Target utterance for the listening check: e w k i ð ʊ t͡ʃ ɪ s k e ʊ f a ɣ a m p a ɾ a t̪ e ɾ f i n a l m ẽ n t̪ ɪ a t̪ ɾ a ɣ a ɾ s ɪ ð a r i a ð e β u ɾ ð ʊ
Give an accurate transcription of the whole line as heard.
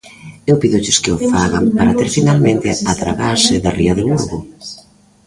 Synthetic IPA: e w p i ð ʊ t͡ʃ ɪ s k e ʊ f a ɣ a m p a ɾ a t̪ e ɾ f i n a l m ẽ n t̪ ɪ a t̪ ɾ a ɣ a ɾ s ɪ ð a r i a ð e β u ɾ ɣ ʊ